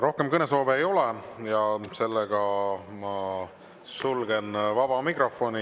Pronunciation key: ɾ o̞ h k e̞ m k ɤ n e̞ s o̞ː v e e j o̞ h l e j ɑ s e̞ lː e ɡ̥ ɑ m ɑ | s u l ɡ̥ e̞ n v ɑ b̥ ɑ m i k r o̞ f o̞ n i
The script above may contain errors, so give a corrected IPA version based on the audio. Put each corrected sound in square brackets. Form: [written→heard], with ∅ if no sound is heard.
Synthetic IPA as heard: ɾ o̞ h k e̞ m k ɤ n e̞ s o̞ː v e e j o̞ [h→∅] l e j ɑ s e̞ lː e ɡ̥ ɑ m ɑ | s u l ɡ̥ e̞ n v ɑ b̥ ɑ m i k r o̞ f o̞ n i